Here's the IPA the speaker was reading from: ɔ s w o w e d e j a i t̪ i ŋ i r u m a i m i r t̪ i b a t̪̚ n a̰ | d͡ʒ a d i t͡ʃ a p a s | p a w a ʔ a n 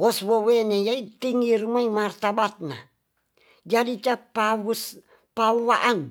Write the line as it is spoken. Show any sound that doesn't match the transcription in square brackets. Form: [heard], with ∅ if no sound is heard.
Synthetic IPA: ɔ s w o w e [n] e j a i t̪ i ŋ i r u m a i m [a] r t̪ [a] b a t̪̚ n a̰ | d͡ʒ a d i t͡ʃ a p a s | p a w a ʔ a n